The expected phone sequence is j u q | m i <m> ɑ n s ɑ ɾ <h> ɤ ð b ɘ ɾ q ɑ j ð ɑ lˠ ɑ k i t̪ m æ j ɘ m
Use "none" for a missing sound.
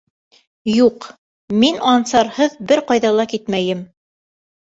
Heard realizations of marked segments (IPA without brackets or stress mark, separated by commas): n, h